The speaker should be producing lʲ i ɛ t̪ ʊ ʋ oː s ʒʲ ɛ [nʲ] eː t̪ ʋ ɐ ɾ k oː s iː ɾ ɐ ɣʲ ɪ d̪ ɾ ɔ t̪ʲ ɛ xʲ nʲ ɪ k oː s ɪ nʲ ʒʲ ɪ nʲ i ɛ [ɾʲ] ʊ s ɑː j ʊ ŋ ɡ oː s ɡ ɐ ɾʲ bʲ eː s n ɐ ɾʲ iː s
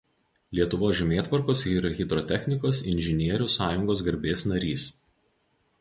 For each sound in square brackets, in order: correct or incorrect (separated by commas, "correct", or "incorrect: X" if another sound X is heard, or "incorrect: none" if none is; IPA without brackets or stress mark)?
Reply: incorrect: mʲ, correct